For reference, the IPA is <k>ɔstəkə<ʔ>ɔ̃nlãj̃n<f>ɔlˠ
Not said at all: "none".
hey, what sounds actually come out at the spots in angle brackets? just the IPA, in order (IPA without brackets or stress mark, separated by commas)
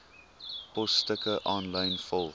p, ʔ, f